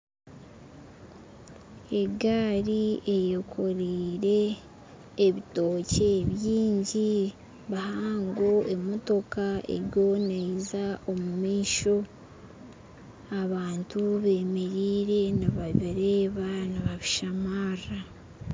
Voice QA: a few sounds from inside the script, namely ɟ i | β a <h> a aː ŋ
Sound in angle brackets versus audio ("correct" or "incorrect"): correct